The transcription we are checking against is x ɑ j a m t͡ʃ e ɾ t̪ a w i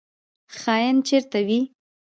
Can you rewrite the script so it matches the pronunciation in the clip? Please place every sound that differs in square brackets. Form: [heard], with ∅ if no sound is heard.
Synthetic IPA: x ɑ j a [n] t͡ʃ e ɾ t̪ a w i